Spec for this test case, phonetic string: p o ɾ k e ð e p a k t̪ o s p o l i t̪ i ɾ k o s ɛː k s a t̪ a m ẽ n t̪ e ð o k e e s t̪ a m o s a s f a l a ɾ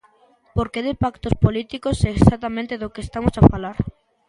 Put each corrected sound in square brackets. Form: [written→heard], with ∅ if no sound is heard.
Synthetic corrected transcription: p o ɾ k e ð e p a k t̪ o s p o l i t̪ i [ɾ→∅] k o s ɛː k s a t̪ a m ẽ n t̪ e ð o k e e s t̪ a m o s a [s→∅] f a l a ɾ